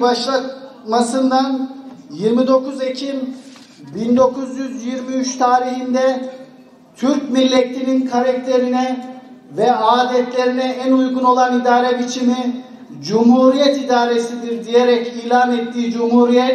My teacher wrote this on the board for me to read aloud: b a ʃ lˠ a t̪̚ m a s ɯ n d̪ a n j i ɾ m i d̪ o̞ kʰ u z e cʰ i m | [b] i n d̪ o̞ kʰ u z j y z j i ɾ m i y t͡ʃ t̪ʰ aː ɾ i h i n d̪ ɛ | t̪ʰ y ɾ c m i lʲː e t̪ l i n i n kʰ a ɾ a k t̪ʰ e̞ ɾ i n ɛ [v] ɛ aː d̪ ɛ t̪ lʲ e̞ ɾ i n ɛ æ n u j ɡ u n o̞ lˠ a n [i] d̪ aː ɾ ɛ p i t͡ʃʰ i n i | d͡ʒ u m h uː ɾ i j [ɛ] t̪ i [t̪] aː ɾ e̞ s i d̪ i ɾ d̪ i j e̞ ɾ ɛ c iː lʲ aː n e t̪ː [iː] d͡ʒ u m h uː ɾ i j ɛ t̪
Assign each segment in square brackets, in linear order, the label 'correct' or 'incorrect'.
correct, correct, correct, correct, incorrect: d̪, correct

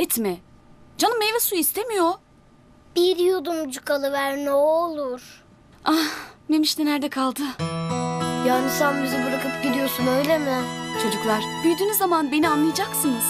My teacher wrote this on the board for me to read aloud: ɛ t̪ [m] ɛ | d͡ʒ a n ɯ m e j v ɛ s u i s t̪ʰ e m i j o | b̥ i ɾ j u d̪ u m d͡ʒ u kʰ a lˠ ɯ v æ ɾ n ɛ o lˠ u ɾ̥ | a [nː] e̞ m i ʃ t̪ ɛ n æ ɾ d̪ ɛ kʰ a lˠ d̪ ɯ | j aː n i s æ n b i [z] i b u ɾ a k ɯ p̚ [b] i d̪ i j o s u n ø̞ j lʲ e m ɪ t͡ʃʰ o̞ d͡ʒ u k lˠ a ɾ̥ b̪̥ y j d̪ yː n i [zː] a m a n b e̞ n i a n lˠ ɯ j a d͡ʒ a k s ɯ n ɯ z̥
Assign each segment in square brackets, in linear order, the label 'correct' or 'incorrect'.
correct, incorrect: n, correct, incorrect: ɟ, correct

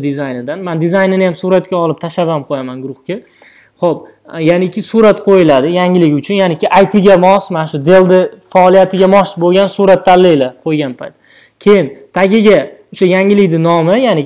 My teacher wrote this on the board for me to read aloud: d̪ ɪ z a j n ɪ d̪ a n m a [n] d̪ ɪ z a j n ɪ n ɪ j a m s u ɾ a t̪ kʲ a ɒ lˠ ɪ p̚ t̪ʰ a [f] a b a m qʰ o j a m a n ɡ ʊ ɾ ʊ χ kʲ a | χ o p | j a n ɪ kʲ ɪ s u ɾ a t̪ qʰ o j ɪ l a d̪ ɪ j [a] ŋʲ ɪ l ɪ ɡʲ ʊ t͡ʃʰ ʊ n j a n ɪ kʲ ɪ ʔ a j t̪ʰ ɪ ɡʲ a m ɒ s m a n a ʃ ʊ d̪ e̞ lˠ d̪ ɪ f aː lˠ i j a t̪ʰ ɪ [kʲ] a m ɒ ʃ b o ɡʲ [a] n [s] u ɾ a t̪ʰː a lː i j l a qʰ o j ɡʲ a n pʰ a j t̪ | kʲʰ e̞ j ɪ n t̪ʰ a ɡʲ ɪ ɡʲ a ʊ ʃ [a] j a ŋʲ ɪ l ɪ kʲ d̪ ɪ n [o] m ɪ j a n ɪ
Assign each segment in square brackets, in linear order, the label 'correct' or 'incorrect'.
correct, incorrect: ʃ, correct, incorrect: ɡʲ, correct, correct, correct, incorrect: ɒ

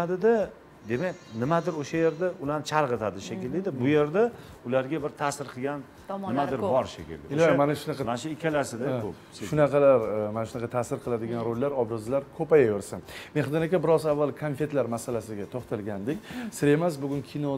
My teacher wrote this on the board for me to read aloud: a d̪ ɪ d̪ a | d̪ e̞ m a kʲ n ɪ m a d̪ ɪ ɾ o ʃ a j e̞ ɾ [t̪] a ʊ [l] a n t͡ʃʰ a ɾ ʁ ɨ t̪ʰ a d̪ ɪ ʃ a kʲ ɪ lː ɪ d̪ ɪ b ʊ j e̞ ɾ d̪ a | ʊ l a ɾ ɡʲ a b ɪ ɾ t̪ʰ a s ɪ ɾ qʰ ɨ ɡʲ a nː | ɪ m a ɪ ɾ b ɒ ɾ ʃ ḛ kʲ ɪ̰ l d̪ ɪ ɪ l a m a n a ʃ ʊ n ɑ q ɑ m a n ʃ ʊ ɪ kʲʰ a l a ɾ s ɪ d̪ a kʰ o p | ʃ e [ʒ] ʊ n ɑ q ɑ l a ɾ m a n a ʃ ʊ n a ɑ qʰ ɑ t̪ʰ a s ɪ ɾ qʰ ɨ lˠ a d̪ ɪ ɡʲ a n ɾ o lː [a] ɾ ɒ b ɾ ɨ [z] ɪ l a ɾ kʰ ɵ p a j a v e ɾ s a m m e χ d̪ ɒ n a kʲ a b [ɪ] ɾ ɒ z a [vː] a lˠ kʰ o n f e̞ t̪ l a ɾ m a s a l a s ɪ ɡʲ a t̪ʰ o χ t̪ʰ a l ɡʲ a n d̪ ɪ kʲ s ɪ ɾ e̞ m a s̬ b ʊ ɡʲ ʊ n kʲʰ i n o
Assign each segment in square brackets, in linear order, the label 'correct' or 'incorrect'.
incorrect: d̪, correct, incorrect: ʃ, correct, correct, correct, correct

